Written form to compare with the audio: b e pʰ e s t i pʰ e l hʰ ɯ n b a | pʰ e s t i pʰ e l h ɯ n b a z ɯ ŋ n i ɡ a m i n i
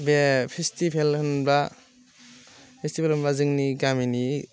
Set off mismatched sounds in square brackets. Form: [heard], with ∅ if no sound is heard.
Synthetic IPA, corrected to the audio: b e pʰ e s t i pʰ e l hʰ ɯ n b a | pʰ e s t i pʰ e l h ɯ n b a z ɯ ŋ n i ɡ a m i n i